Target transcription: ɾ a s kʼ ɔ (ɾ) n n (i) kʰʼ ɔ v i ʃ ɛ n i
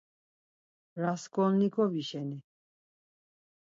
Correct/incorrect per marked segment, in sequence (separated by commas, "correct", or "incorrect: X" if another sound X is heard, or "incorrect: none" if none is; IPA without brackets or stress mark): incorrect: none, correct